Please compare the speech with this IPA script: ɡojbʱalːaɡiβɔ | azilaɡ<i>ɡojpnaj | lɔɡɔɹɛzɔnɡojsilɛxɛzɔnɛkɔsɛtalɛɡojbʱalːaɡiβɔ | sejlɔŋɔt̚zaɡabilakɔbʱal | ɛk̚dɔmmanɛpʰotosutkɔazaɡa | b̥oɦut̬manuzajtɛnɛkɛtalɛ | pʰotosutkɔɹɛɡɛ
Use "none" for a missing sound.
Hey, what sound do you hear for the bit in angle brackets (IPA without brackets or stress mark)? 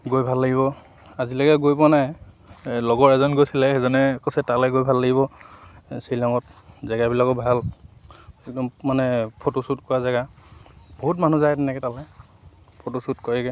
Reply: ɛ